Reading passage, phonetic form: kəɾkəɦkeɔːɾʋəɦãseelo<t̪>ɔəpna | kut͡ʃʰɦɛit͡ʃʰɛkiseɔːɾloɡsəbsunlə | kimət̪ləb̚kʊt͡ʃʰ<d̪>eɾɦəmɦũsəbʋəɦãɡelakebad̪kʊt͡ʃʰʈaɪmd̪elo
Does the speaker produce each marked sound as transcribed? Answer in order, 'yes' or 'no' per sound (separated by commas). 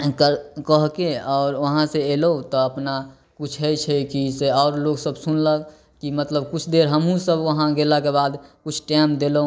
yes, yes